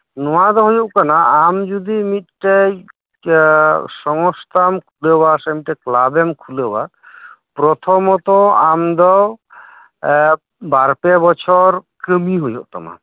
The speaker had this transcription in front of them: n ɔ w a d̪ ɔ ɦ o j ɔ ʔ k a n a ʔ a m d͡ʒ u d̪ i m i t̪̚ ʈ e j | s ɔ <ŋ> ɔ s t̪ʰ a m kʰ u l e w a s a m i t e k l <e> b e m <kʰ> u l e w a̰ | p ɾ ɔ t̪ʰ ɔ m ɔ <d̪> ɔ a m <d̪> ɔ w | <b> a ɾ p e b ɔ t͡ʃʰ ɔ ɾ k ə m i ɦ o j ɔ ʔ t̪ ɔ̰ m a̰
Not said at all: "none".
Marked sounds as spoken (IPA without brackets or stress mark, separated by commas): ŋ, a, kʰ, t̪, d̪, b